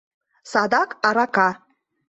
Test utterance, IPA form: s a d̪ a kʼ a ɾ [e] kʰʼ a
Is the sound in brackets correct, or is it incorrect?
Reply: incorrect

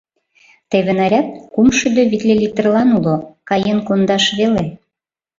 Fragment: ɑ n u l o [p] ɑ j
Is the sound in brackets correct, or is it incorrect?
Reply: incorrect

